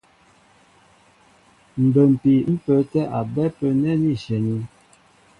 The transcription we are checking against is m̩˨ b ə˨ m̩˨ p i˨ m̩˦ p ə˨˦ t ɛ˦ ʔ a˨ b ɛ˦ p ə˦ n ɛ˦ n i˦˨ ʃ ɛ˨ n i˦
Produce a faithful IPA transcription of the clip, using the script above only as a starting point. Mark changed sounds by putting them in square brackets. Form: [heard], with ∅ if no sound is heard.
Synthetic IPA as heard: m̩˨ b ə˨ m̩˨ p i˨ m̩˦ p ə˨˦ t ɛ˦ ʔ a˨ b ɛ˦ p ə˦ n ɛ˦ n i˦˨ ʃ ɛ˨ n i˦